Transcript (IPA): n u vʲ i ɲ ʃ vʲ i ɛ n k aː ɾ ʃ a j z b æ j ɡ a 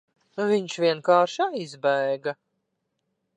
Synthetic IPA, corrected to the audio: n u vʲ i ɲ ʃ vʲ i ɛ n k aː ɾ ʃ a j z b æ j ɡ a